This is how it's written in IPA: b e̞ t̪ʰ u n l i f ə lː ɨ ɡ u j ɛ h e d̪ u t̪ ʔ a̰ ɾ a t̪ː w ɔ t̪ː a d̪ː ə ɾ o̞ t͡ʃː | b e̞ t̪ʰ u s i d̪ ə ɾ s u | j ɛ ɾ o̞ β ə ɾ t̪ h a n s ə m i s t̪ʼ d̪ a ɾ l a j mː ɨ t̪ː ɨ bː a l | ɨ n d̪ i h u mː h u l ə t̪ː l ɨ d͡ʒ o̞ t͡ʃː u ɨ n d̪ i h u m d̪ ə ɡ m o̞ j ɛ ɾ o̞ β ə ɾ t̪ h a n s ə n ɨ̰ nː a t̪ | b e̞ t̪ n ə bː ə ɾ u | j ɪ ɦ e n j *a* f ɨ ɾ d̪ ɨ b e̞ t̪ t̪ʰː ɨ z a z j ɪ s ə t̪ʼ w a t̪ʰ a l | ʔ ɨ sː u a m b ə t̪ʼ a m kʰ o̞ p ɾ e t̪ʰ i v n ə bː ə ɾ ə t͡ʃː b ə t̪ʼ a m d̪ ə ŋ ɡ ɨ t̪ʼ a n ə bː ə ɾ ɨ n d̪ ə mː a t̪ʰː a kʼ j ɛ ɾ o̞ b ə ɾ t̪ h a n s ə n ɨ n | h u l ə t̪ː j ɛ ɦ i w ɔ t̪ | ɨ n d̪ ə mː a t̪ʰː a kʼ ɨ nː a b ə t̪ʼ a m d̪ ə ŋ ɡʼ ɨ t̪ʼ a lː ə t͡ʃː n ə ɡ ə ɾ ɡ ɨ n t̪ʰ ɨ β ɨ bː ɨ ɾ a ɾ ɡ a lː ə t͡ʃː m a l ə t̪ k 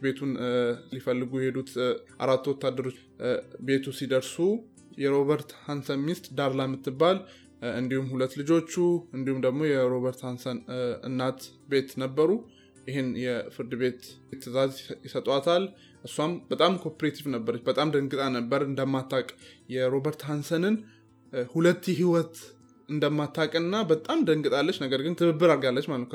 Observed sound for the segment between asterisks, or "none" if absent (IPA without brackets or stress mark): ɛ